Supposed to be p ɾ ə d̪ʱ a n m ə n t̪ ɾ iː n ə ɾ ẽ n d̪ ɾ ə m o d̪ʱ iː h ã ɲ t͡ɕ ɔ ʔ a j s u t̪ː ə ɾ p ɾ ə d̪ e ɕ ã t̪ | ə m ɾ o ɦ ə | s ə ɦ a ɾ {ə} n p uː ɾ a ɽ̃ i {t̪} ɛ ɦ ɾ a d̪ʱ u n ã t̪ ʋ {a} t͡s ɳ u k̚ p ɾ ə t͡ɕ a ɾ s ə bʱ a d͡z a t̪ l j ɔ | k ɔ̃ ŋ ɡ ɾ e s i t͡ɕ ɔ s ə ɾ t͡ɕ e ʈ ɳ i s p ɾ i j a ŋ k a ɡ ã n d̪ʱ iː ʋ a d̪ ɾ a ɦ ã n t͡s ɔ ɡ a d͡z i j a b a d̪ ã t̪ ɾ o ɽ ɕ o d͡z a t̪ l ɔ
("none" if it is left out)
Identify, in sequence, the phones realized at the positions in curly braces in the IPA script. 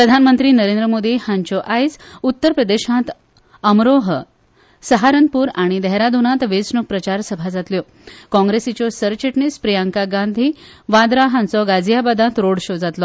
ə, d̪, e

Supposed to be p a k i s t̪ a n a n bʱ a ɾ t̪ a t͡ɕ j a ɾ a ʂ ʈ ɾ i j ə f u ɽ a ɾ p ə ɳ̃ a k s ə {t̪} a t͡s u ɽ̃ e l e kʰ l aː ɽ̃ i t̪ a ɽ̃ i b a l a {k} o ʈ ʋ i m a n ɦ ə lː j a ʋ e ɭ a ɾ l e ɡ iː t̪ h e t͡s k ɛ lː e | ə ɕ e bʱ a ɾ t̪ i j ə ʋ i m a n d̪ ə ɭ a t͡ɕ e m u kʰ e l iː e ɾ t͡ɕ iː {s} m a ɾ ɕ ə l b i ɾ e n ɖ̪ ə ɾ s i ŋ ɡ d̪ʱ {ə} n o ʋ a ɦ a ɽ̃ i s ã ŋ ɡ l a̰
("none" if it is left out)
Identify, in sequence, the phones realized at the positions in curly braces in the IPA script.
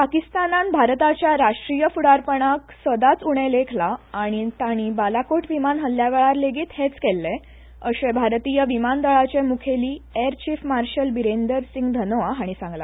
d̪, k, f, ə

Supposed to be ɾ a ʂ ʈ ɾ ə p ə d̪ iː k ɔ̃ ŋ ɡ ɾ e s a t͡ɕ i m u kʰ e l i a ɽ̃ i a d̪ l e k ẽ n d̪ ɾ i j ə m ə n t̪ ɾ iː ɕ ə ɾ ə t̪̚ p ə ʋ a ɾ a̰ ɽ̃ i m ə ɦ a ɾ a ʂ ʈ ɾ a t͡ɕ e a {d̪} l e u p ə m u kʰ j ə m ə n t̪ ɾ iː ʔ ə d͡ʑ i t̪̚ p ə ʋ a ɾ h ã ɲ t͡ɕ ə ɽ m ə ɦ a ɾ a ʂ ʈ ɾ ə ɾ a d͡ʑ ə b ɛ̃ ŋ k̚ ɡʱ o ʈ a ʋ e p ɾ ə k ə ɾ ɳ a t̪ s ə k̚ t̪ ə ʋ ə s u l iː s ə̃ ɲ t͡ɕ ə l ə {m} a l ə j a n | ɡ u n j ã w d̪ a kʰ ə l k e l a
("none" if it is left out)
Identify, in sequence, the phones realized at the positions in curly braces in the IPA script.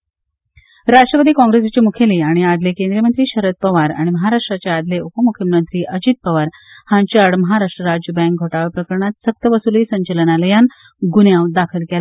d̪, n

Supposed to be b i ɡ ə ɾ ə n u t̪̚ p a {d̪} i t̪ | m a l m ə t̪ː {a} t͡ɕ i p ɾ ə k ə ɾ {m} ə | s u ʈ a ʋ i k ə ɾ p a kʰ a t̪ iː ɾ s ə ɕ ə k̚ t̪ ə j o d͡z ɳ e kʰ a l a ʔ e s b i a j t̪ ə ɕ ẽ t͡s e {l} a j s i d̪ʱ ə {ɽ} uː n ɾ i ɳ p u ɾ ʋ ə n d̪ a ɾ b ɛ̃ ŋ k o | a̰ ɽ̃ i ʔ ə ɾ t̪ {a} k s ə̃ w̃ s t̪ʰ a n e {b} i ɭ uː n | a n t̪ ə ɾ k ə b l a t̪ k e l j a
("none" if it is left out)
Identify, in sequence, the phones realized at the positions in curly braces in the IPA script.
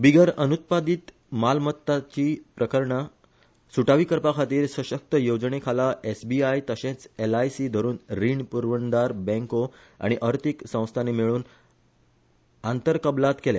d̪, a, ɳ, l, ɾ, i, m

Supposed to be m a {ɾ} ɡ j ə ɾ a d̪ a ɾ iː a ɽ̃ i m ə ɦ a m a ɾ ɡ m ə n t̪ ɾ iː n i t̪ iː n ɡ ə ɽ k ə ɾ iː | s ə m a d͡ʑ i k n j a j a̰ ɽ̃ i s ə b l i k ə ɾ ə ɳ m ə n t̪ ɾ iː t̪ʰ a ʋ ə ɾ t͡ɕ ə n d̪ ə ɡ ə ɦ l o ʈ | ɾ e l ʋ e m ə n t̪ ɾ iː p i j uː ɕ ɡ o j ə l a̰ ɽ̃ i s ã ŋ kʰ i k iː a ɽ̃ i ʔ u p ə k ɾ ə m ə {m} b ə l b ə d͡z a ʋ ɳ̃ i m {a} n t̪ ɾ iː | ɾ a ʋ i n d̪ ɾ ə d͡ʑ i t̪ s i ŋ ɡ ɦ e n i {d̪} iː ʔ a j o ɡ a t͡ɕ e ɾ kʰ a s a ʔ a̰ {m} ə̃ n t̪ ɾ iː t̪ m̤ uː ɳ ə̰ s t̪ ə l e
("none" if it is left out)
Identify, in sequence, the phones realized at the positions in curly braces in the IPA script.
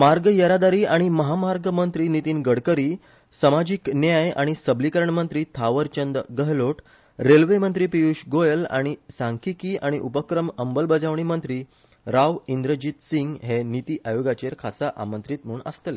ɾ, m, ə, t̪, m

